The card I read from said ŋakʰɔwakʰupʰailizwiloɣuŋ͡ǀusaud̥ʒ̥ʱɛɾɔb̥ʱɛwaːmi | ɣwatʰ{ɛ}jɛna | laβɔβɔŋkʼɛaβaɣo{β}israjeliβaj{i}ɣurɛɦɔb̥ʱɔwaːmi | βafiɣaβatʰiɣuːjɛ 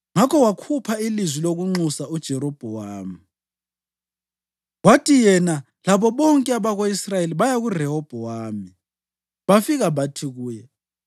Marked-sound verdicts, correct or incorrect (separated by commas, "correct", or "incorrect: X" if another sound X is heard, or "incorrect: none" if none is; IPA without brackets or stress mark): incorrect: i, incorrect: none, incorrect: a